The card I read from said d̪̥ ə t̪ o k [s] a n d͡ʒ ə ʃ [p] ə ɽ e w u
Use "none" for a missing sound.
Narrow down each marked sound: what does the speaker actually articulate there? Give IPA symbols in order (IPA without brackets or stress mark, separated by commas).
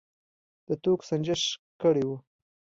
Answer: s, k